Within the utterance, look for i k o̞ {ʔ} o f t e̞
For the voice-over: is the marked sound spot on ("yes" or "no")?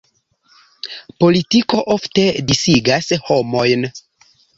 yes